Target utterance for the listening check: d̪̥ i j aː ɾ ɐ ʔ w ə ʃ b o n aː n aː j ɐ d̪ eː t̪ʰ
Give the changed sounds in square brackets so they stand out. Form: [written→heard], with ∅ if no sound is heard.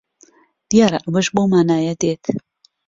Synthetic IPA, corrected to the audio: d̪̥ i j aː ɾ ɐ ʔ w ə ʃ b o [n→m] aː n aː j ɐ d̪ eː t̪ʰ